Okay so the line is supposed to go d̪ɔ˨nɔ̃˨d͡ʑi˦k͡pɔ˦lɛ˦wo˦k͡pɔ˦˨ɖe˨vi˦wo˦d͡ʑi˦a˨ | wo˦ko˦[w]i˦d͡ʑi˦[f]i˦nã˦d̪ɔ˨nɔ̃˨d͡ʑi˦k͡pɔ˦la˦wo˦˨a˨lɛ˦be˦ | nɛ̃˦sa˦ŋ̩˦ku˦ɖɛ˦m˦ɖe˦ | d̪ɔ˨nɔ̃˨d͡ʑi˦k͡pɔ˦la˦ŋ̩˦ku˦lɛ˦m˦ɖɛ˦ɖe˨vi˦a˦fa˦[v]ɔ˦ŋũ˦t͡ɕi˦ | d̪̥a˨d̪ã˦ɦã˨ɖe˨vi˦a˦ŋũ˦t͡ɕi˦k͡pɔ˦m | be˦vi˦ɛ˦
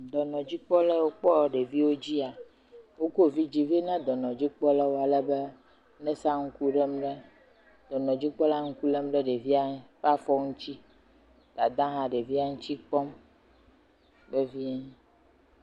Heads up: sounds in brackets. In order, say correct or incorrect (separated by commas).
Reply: incorrect, incorrect, incorrect